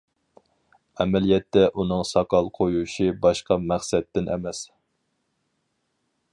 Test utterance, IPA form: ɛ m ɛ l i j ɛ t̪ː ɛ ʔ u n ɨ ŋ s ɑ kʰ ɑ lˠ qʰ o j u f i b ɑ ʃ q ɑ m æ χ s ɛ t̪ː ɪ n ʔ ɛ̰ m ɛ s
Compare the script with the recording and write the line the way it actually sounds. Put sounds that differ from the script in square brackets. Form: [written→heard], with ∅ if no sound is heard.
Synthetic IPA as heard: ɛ m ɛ l i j ɛ t̪ː ɛ ʔ u n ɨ ŋ s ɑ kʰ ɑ lˠ qʰ o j u [f→ʃ] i b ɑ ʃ q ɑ m æ χ s ɛ t̪ː ɪ n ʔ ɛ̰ m ɛ s

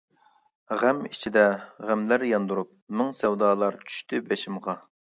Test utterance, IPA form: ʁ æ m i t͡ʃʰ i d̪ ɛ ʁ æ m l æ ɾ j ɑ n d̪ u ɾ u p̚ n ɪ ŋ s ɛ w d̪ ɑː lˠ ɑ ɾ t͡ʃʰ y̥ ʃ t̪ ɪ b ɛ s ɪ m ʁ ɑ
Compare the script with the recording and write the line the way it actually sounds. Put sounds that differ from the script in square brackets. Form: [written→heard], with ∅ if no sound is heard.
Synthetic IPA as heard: ʁ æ m i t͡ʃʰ i d̪ ɛ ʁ æ m l æ ɾ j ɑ n d̪ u ɾ u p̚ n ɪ ŋ s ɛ w d̪ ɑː lˠ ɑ ɾ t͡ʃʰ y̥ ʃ t̪ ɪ b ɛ [s→ʃ] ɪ m ʁ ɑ

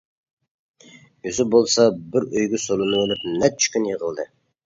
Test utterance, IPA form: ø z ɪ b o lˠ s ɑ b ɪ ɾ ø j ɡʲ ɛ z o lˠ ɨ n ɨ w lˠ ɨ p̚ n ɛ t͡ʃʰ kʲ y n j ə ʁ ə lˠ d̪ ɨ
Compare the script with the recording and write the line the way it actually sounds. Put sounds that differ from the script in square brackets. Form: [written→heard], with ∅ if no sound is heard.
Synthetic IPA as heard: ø z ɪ b o lˠ s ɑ b ɪ ɾ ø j ɡʲ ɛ [z→s] o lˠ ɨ n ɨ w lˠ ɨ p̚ n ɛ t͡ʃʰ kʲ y n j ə ʁ ə lˠ d̪ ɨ

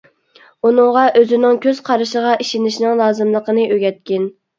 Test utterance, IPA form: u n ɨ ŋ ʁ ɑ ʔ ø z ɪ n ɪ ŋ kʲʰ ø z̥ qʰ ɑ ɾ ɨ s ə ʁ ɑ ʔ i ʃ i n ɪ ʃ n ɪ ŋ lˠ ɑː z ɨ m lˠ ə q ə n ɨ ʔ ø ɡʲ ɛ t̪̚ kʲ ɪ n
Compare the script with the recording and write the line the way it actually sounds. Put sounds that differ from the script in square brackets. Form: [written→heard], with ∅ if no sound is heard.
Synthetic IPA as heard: u n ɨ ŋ ʁ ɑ ʔ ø z ɪ n ɪ ŋ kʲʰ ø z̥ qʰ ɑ ɾ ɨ [s→ʃ] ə ʁ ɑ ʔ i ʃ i n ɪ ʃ n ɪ ŋ lˠ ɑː z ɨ m lˠ ə q ə n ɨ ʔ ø ɡʲ ɛ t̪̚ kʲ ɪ n

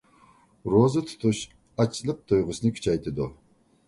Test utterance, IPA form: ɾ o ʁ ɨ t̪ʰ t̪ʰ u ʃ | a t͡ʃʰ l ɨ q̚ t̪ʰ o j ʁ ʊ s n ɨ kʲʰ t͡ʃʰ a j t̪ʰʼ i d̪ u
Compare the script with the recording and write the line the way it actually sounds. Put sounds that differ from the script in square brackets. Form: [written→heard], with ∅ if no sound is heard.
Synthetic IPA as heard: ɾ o [ʁ→z] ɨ t̪ʰ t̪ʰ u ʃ | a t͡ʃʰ l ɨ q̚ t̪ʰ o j ʁ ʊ s n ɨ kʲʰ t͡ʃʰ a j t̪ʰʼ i d̪ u

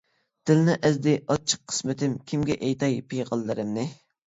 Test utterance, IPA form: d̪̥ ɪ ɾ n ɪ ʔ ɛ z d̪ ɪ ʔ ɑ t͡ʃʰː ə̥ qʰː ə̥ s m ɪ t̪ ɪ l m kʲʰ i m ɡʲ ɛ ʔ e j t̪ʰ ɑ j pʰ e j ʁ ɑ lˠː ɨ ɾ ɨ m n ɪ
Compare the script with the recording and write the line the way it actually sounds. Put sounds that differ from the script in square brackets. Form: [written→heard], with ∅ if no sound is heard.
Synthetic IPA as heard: d̪̥ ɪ [ɾ→l] n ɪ ʔ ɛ z d̪ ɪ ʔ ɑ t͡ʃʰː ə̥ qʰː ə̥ s m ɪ t̪ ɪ [l→∅] m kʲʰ i m ɡʲ ɛ ʔ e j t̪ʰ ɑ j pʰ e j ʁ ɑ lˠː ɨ ɾ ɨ m n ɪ

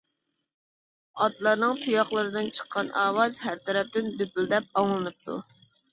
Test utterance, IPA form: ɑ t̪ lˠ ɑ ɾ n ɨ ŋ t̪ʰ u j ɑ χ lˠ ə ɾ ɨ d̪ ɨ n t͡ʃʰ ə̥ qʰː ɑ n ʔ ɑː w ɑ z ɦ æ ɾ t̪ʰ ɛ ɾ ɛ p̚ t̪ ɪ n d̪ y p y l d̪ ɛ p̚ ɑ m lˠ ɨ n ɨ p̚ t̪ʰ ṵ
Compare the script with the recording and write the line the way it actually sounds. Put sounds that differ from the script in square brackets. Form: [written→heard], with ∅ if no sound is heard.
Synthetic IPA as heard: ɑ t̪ lˠ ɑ ɾ n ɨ ŋ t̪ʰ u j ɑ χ lˠ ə ɾ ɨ d̪ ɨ n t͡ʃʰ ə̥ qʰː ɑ n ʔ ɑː w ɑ z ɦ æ ɾ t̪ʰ ɛ ɾ ɛ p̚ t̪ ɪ n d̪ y p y l d̪ ɛ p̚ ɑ [m→ŋ] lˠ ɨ n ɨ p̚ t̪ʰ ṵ

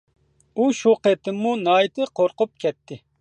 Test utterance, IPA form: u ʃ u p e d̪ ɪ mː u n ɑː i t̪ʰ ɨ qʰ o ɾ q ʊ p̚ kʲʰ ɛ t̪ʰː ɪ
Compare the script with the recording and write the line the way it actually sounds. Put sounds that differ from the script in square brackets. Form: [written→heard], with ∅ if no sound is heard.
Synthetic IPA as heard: u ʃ u [p→q] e [d̪→t̪] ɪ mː u n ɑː [i→j] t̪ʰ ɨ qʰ o ɾ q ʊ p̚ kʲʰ ɛ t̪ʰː ɪ

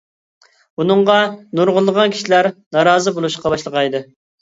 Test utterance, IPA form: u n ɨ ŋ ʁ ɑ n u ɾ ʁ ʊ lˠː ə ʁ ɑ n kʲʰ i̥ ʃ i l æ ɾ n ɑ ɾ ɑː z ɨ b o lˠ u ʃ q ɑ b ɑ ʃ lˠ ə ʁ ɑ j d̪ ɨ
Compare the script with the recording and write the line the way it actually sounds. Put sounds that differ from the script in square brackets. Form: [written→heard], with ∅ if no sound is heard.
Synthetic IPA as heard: u n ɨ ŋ ʁ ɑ n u ɾ ʁ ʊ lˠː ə ʁ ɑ n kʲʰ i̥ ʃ i l æ ɾ n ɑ ɾ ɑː z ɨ b o lˠ u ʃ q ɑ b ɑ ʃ lˠ ə ʁ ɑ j d̪ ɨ

